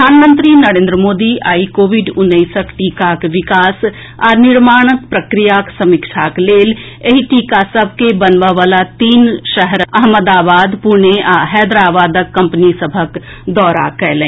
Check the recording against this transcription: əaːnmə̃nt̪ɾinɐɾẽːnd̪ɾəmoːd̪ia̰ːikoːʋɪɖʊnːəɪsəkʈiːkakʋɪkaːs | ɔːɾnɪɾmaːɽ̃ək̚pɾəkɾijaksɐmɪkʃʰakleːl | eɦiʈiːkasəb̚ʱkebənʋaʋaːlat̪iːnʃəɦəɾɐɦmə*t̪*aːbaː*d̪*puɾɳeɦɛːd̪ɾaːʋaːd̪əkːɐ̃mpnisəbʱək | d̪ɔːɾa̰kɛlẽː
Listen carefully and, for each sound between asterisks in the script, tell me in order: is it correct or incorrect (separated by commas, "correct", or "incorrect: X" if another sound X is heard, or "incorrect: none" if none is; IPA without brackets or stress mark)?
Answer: incorrect: d̪, correct